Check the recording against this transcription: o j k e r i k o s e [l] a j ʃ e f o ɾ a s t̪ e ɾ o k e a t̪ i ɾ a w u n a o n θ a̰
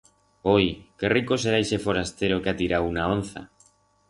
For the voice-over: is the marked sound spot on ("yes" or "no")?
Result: no